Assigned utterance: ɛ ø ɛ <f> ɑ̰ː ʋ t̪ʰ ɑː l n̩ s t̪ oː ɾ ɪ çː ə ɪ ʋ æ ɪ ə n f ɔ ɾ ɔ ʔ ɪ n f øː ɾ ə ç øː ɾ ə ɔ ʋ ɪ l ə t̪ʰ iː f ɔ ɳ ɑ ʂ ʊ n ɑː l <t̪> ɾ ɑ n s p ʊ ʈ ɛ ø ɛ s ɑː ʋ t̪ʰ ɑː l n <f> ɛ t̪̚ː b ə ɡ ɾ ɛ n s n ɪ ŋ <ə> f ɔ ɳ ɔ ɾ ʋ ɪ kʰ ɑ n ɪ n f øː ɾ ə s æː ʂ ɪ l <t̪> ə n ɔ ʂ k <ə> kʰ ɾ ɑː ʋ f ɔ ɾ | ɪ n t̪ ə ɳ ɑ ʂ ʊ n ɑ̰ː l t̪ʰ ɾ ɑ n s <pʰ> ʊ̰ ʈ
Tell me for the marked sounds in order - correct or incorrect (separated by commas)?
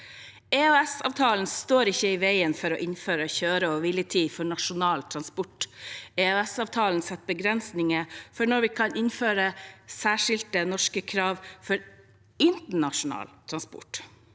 incorrect, incorrect, incorrect, correct, correct, correct, incorrect